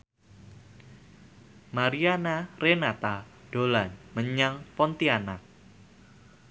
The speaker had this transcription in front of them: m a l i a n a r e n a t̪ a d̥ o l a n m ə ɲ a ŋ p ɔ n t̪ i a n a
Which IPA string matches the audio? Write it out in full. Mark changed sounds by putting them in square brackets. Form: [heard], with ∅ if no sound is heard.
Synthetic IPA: m a [ɾ] i a n a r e n a t̪ a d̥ o l a n m ə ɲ a ŋ p ɔ n t̪ i a n a

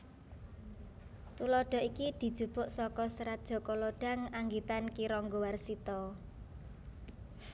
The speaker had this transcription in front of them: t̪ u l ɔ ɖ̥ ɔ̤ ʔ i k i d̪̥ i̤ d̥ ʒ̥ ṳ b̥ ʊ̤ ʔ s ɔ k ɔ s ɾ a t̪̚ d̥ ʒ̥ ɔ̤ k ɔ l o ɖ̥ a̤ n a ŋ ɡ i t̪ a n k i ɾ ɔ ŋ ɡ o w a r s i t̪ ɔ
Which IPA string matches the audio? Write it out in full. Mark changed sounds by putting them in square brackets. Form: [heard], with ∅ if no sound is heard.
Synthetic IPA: t̪ u l ɔ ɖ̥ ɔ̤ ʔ i k i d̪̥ i̤ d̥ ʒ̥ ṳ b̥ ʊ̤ ʔ s ɔ k ɔ s ɾ a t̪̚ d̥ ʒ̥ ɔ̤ k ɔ l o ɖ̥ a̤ [ŋ] a ŋ ɡ i t̪ a n k i ɾ ɔ ŋ ɡ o w a r s i t̪ ɔ

